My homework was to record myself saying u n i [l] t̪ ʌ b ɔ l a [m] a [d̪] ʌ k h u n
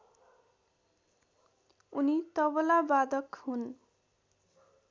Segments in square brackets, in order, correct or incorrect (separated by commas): incorrect, incorrect, correct